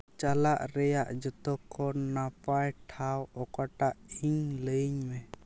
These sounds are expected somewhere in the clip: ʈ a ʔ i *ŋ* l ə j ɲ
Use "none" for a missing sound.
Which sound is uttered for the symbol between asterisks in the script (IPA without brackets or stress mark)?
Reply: ŋ